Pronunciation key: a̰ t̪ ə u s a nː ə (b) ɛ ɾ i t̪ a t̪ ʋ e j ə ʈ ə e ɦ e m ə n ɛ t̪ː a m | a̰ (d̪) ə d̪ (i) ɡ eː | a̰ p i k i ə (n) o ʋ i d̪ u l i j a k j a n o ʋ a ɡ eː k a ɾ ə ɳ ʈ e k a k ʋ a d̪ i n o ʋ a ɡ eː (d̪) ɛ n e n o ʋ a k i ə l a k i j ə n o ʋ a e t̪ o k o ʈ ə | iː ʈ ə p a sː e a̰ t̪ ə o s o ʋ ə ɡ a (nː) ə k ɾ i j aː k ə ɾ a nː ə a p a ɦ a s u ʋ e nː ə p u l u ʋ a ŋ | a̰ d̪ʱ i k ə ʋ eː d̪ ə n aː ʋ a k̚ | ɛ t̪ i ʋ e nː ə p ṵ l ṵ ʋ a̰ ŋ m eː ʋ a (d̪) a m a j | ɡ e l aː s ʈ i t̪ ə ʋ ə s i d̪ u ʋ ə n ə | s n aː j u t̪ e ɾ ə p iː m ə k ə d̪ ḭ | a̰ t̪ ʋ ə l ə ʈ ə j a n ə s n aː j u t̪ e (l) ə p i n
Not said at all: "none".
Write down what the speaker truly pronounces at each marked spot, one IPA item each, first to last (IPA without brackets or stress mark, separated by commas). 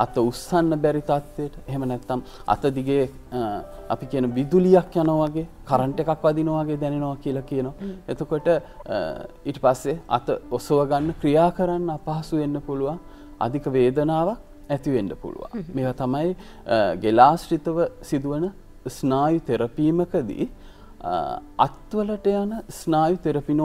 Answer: b, t̪, i, n, d̪, nː, t̪, ɾ